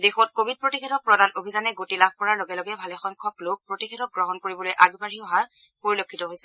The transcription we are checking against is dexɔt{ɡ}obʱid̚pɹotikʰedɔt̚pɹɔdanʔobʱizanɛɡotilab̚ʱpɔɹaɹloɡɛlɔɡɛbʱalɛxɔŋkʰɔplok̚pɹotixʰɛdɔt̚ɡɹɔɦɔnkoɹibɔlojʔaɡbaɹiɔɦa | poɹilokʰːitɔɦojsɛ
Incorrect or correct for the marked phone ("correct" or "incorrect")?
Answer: incorrect